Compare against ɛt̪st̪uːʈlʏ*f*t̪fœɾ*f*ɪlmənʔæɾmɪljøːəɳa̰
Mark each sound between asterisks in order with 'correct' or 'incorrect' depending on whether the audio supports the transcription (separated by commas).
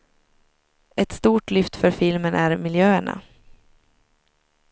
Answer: correct, correct